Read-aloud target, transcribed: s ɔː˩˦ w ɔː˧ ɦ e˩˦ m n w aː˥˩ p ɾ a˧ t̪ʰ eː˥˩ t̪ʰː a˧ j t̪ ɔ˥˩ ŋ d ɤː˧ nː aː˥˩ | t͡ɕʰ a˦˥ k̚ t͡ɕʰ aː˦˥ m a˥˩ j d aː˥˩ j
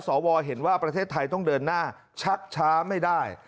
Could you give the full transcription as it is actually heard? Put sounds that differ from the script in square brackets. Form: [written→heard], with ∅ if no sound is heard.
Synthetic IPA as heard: s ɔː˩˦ w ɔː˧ ɦ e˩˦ [m→∅] n w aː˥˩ p ɾ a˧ t̪ʰ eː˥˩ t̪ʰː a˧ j t̪ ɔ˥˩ ŋ d ɤː˧ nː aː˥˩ | t͡ɕʰ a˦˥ k̚ t͡ɕʰ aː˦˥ m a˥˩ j d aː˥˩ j